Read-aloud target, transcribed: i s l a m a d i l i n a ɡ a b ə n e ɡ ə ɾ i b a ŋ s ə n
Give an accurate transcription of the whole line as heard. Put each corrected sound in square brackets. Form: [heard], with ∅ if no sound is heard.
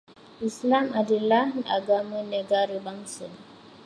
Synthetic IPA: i s l a m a d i l [a] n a ɡ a [m] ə n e ɡ [a] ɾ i b a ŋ s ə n